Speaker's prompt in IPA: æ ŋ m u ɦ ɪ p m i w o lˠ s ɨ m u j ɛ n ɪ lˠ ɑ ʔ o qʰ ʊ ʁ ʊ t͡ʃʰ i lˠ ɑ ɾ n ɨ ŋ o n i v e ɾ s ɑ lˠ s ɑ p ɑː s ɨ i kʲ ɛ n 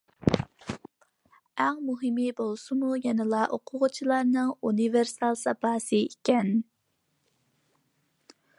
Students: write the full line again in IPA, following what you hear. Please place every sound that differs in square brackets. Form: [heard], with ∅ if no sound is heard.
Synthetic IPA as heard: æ ŋ m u ɦ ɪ [∅] m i [b] o lˠ s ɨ m u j ɛ n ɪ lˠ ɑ ʔ o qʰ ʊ ʁ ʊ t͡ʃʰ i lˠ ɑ ɾ n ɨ ŋ [u] n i v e ɾ s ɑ lˠ s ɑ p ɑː s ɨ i kʲ ɛ n